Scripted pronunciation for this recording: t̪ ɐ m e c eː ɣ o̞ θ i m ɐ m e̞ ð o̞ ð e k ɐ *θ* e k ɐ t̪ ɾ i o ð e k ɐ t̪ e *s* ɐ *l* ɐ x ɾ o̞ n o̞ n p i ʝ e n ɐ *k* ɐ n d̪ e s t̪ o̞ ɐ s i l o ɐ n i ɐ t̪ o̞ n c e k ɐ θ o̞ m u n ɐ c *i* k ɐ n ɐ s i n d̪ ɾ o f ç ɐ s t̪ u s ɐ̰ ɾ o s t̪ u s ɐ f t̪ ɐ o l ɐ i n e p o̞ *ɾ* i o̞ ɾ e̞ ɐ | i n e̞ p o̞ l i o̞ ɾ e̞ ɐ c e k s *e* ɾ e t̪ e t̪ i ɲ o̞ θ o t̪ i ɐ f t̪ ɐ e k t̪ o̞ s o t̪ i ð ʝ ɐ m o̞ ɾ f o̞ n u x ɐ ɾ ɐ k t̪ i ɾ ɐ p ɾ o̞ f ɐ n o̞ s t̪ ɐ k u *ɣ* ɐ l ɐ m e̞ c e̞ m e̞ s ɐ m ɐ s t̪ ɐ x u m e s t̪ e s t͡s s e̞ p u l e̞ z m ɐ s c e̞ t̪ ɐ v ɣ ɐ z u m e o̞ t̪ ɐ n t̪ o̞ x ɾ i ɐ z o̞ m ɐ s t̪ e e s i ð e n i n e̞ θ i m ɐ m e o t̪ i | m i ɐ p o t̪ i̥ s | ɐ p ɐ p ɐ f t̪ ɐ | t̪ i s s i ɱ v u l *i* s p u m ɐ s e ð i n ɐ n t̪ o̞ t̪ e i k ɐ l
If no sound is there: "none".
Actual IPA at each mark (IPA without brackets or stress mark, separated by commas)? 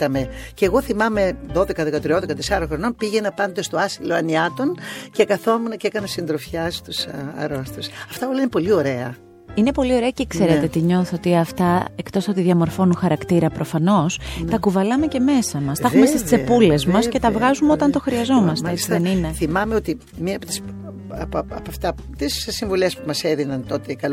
ð, s, ɾ, p, e, l, e, v, e